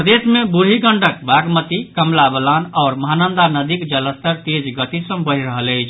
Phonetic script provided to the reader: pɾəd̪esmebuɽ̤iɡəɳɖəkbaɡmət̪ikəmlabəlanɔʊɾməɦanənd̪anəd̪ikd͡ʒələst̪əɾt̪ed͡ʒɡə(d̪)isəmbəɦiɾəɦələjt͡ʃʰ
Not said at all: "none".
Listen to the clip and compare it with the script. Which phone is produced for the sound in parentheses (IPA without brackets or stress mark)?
t̪